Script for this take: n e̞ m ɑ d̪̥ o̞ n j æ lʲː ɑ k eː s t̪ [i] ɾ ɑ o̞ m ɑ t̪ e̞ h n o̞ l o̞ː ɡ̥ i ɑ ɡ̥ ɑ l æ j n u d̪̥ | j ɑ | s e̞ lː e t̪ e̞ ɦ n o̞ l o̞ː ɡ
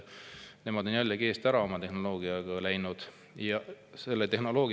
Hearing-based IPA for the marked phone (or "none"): æ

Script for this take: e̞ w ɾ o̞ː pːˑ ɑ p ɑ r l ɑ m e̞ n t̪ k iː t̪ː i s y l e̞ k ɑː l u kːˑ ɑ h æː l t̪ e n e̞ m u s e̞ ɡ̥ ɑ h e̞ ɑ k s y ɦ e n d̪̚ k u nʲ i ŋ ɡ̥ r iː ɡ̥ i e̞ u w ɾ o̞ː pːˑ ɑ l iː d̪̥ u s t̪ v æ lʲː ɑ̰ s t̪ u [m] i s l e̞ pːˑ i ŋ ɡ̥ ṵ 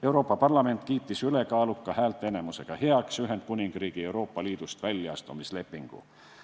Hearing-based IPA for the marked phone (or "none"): m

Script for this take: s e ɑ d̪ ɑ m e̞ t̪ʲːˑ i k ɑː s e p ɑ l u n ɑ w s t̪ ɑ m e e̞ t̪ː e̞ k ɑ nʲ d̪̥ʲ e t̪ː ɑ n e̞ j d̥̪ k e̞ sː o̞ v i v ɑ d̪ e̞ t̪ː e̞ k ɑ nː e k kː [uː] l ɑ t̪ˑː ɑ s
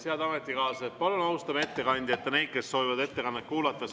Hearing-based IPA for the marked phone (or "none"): uː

